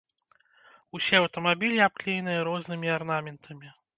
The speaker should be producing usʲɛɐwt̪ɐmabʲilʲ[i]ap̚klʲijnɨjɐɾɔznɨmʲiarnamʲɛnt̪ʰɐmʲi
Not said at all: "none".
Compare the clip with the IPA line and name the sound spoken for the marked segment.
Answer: i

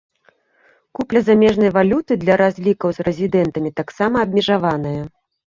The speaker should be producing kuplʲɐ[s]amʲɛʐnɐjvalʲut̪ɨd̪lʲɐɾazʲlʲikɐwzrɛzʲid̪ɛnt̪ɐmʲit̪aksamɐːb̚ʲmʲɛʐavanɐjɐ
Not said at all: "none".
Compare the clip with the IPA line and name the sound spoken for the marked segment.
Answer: z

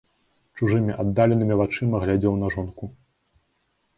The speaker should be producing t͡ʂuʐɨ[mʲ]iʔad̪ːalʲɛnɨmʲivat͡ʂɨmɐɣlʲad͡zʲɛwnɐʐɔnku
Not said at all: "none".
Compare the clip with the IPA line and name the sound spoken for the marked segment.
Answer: mʲ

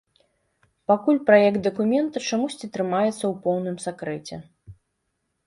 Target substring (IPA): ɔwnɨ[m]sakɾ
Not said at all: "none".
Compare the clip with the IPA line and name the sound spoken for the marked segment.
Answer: m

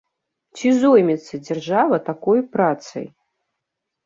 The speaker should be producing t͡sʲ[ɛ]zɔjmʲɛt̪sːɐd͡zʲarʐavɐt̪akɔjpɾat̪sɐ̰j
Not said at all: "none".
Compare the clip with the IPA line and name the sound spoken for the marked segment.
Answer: i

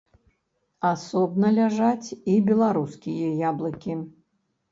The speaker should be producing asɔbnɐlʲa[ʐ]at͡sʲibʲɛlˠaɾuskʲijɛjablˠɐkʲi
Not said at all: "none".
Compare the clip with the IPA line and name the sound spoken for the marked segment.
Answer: ʐ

